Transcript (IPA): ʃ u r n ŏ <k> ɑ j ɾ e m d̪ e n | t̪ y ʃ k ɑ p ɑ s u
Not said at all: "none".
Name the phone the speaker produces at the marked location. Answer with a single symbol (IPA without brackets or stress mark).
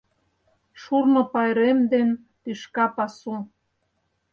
p